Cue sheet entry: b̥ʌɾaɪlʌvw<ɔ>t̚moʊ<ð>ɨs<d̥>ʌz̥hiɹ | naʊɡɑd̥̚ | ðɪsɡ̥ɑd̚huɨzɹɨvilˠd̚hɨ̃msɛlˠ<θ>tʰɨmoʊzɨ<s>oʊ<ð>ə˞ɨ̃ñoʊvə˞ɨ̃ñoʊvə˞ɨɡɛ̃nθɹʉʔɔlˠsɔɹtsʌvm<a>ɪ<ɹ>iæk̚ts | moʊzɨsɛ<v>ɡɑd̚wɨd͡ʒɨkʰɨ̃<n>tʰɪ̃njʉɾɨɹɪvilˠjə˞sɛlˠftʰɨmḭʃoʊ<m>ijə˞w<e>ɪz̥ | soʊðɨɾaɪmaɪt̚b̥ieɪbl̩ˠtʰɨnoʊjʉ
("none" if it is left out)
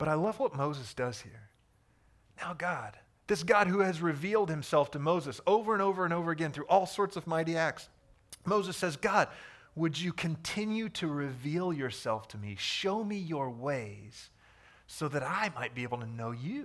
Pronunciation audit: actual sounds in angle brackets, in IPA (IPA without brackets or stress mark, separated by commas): ʌ, z, d̥, f, s, v, a, ɾ, z, n, m, e